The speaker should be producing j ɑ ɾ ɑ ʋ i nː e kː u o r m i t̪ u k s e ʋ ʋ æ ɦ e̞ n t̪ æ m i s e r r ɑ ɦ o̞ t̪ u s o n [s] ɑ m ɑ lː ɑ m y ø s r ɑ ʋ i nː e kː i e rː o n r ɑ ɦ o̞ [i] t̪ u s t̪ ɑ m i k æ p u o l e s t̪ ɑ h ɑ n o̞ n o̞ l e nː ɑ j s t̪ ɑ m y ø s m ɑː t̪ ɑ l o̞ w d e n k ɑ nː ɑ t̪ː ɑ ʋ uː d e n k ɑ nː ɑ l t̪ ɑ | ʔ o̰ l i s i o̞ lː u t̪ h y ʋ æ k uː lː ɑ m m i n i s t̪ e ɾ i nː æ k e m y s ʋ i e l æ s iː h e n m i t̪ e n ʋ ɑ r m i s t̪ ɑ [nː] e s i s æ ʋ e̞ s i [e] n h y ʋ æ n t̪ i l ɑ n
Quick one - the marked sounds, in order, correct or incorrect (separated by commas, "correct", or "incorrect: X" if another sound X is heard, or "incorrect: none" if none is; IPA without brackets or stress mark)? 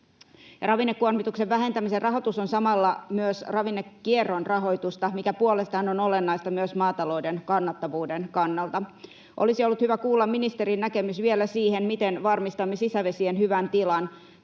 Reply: correct, incorrect: j, incorrect: mː, correct